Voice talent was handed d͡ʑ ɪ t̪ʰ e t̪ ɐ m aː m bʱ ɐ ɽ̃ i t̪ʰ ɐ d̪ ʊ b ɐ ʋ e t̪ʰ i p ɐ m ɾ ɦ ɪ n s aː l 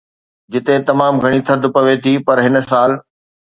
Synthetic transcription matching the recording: d͡ʑ ɪ t̪ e t̪ ɐ m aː m ɡʱ ɐ ɽ̃ i t̪ʰ ɐ d̪ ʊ p ɐ ʋ e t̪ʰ i p ɐ ɾ ɦ ɪ n s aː l